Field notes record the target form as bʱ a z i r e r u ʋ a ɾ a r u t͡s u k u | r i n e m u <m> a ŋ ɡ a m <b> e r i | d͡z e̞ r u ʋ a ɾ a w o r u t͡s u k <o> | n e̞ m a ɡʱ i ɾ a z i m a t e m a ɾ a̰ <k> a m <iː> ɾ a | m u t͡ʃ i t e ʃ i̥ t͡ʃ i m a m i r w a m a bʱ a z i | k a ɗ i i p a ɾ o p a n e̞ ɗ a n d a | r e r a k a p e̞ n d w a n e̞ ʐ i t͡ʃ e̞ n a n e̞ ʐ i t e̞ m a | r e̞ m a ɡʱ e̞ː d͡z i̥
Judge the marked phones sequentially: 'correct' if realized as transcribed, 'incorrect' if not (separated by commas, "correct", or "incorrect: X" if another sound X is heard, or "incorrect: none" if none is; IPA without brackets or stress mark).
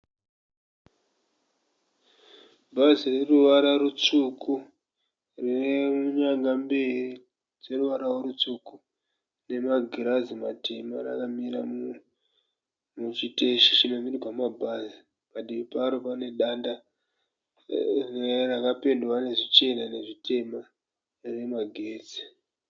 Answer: incorrect: ɲ, correct, incorrect: u, correct, incorrect: i